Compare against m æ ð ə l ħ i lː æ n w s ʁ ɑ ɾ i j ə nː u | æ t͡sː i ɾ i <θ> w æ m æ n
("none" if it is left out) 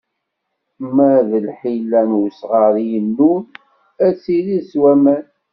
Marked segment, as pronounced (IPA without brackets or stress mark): s